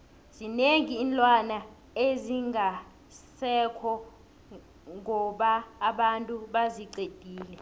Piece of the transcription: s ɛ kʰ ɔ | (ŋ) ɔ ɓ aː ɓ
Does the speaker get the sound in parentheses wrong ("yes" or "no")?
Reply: no